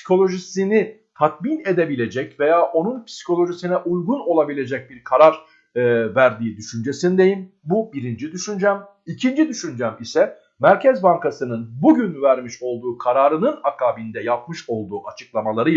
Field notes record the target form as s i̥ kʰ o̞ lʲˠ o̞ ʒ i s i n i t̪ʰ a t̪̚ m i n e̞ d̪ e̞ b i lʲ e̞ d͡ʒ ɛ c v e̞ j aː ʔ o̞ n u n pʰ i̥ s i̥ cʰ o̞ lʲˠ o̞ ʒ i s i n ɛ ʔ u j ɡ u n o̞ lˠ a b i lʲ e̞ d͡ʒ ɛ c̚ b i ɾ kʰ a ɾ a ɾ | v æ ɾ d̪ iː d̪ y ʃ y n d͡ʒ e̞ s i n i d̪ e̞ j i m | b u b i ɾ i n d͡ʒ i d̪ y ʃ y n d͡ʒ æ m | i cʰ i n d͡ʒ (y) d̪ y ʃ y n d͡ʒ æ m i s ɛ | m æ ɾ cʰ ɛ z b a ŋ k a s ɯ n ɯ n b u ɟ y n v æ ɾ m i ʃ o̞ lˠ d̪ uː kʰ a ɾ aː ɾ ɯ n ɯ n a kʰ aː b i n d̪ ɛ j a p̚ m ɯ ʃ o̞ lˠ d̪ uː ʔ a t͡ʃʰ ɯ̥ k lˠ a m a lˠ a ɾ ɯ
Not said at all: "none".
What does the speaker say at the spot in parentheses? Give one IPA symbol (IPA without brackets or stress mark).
i